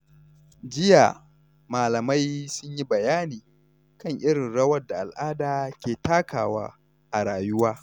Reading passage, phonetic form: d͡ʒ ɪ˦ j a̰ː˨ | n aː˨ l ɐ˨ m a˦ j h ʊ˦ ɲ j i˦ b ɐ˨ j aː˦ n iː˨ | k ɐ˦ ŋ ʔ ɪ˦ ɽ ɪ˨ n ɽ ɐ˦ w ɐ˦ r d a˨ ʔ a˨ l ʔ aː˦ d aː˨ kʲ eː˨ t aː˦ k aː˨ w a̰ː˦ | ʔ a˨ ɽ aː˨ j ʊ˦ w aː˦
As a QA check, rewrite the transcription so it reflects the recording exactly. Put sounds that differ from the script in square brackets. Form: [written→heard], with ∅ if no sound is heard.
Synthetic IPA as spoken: d͡ʒ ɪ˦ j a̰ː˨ | [n→m] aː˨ l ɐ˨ m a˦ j [h→s] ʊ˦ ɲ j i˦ b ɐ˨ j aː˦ n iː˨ | k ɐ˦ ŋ ʔ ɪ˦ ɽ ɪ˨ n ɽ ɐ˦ w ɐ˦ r d a˨ ʔ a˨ l ʔ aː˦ d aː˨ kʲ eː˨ t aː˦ k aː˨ w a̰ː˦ | ʔ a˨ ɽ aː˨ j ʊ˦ w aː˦